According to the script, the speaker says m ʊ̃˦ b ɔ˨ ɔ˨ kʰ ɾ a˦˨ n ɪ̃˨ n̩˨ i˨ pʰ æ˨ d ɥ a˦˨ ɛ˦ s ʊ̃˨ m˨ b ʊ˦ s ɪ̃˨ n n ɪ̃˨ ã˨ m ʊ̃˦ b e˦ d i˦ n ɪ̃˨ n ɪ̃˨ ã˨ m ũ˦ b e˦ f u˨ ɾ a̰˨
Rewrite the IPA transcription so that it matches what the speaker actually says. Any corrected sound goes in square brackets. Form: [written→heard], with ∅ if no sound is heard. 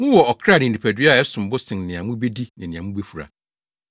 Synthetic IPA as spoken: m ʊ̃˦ [b→w] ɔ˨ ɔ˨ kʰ ɾ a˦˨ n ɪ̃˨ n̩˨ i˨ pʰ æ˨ d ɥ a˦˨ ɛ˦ s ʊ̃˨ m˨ b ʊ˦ s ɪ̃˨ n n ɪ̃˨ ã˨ m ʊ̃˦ b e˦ d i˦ n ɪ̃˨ n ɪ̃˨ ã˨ m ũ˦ b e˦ f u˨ ɾ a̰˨

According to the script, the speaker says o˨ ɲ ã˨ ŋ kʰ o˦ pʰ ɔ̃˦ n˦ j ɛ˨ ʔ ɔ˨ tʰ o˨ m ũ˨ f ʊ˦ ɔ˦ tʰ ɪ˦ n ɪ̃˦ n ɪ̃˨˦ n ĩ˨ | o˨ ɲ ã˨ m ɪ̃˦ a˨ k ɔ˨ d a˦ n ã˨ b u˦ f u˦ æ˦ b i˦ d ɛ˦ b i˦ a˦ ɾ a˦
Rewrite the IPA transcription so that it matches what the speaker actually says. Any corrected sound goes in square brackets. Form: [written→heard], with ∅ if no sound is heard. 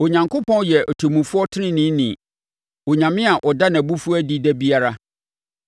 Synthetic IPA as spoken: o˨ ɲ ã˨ ŋ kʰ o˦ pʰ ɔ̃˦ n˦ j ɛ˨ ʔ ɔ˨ tʰ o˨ m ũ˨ f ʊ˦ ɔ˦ tʰ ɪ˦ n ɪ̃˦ n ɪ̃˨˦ n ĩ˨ | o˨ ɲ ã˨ m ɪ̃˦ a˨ [k→ʔ] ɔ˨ d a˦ n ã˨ b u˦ f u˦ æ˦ [b→d] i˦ d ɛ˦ b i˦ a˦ ɾ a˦

